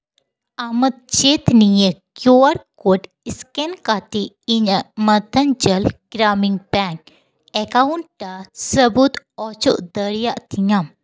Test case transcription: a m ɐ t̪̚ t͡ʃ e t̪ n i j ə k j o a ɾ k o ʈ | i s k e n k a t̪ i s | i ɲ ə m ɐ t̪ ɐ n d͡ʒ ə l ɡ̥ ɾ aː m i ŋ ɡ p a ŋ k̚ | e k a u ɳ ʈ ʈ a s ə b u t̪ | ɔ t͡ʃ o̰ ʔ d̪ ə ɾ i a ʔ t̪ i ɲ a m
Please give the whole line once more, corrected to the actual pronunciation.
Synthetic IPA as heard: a m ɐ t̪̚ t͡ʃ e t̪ n i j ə k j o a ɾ k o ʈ | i s k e n k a t̪ i | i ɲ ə m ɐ t̪ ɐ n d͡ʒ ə l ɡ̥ ɾ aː m i ŋ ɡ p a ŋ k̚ | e k a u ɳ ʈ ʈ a s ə b u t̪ | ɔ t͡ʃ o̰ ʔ d̪ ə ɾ j a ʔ t̪ i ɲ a m